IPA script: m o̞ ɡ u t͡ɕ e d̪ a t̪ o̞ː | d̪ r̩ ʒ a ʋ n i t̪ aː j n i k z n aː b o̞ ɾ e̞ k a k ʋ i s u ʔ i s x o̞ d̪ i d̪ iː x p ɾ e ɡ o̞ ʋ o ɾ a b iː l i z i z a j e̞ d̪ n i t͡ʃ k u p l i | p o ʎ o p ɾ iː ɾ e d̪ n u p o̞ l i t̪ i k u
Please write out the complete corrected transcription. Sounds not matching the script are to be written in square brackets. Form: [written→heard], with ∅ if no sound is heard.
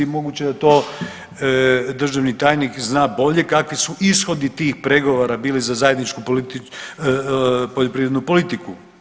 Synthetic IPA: m o̞ ɡ u t͡ɕ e d̪ a t̪ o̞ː | d̪ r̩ ʒ a ʋ n i t̪ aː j n i k z n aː b o̞ [ɾ→ʎ] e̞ k a k ʋ i s u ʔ i s x o̞ d̪ i [d̪→t̪] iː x p ɾ e ɡ o̞ ʋ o ɾ a b iː l i z [i→a] z a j e̞ d̪ n i t͡ʃ k u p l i | p o ʎ o p ɾ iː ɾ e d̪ n u p o̞ l i t̪ i k u